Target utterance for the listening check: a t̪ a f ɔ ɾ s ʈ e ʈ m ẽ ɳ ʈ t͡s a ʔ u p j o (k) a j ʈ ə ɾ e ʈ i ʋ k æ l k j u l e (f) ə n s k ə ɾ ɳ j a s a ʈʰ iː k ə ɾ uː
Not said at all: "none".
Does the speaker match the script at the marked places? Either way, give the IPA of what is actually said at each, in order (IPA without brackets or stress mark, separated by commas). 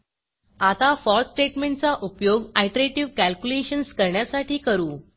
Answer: ɡ, ɕ